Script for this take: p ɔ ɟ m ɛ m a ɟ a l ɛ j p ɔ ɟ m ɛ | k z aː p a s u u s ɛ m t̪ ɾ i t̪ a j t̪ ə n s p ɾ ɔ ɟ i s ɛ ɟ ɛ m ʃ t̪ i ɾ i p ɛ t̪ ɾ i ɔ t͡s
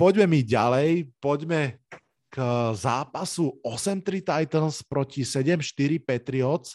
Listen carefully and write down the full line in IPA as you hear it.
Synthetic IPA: p ɔ ɟ m ɛ m i ɟ a l ɛ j p ɔ ɟ m ɛ | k z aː p a s u ɔ s ɛ m t̪ ɾ i t̪ a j t̪ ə n s p ɾ ɔ c i s ɛ ɟ ɛ m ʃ t̪ i ɾ i p ɛ t̪ ɾ i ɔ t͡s